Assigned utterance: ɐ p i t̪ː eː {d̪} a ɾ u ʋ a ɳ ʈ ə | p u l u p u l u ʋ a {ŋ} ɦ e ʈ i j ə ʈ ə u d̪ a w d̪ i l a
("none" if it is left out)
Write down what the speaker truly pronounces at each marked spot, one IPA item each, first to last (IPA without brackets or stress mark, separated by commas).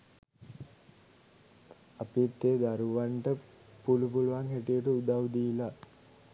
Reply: d̪, ŋ